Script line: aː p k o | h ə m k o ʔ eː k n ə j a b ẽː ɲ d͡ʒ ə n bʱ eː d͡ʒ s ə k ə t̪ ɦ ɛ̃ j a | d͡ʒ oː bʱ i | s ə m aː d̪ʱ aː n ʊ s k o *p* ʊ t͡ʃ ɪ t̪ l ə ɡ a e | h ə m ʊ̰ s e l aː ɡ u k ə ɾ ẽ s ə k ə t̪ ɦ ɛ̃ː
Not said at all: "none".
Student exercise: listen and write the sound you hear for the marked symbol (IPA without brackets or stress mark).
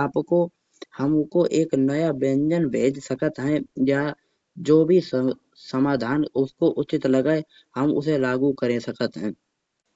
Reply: ʔ